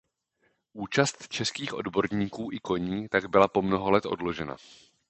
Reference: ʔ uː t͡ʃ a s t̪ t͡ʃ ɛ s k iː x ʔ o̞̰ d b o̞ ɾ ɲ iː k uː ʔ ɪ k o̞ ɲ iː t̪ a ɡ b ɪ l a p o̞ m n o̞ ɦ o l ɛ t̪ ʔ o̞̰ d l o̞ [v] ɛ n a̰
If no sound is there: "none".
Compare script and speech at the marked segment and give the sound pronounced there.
ʒ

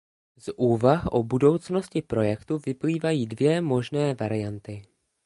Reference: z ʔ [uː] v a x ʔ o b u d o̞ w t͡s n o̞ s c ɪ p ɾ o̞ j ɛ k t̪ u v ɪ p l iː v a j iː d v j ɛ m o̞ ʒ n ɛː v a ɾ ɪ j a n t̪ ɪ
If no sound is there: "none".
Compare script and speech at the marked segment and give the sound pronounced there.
uː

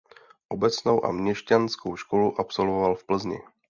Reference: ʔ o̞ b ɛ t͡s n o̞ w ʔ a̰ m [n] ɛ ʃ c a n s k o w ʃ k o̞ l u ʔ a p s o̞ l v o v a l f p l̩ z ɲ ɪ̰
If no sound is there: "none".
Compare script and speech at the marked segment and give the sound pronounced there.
ɲ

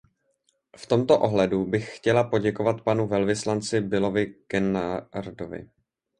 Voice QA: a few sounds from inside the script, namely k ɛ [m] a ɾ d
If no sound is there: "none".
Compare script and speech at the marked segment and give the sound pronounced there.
n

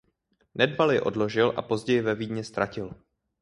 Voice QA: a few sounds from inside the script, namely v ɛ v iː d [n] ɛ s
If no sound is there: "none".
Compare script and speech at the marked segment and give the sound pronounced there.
ɲ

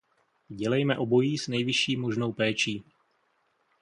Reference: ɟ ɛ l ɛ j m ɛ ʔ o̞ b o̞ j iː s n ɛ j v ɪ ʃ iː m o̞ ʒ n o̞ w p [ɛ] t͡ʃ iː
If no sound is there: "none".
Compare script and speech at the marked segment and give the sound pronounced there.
ɛː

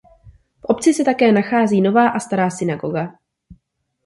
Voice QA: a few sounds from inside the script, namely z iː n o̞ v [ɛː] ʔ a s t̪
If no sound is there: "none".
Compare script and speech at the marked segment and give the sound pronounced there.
aː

